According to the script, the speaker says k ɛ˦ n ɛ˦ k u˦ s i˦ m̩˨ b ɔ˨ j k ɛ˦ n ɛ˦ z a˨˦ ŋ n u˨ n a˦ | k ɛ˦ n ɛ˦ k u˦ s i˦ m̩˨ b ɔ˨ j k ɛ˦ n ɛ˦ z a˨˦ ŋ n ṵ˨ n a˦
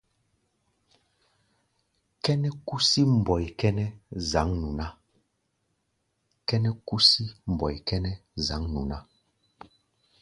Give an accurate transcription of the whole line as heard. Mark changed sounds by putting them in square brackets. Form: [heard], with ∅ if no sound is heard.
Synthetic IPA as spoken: k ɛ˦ n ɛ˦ k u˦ s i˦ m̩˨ b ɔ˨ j k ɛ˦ n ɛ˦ z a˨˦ ŋ n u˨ n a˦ | k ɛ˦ n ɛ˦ k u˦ s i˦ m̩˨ b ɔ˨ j k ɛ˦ n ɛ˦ z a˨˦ ŋ n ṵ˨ n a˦